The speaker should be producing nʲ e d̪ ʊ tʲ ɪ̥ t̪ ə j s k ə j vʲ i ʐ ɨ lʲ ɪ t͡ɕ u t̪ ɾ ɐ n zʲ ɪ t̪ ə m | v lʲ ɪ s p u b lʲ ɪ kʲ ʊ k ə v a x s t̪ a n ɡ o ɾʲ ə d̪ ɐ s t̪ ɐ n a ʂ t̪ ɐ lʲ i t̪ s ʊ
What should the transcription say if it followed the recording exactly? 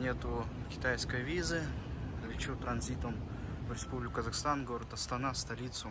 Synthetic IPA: nʲ e t̪ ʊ kʲ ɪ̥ t̪ a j s k ə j vʲ i z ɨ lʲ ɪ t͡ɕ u t̪ ɾ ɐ n zʲ i t̪ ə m | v ɾʲ ɪ s p u b lʲ ɪ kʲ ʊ k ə z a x s t̪ a n ɡ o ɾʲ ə t̪ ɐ s t̪ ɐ n a s t̪ ɐ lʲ i t̪ s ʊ